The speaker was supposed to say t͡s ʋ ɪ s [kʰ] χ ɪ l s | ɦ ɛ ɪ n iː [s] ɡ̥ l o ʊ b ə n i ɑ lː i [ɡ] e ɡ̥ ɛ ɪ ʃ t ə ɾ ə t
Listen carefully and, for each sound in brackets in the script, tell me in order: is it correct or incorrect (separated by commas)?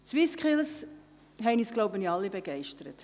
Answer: incorrect, correct, incorrect